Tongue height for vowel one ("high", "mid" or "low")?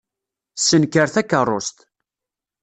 mid